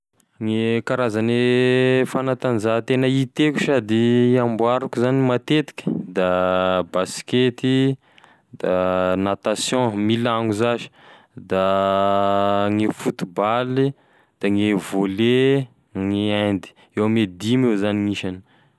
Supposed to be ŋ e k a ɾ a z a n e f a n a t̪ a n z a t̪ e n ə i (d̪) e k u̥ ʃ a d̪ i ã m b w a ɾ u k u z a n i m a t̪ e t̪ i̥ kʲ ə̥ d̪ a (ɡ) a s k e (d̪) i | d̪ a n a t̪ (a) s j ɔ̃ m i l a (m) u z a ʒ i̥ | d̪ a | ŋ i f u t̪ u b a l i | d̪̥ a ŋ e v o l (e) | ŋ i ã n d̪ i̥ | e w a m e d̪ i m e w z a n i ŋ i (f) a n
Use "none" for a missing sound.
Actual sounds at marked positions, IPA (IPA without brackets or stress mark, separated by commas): t̪, b, t̪, a, ŋ, e, ʃ